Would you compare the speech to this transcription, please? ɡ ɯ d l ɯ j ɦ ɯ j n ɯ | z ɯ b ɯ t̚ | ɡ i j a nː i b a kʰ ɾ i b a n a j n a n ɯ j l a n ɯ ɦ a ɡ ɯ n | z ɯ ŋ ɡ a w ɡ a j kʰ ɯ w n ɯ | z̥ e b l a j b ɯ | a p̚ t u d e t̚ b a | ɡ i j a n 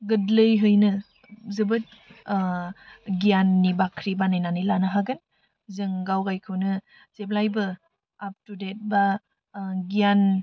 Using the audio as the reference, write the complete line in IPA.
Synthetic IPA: ɡ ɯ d l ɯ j ɦ ɯ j n ɯ | z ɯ b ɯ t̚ | ɡ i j a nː i b a kʰ ɾ i b a n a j n a n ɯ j l a n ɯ ɦ a ɡ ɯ n | z ɯ ŋ ɡ a w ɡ a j kʰ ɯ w n ɯ | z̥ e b l a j b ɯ | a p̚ t u d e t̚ b a | ɡ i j a n